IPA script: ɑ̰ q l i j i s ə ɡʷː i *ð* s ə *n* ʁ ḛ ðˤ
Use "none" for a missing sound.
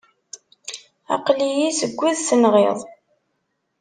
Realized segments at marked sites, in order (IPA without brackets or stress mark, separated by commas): ð, n